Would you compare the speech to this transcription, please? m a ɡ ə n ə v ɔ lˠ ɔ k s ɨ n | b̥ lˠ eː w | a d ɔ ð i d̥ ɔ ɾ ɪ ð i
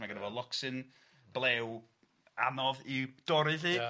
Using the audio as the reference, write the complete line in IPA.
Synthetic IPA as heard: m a ɡ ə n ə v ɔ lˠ ɔ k s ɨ n | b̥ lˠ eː w | a n ɔ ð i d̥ ɔ ɾ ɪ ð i